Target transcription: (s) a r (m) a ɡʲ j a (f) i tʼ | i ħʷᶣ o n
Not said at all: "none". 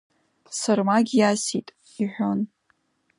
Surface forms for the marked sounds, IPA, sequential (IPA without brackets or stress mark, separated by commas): s, m, s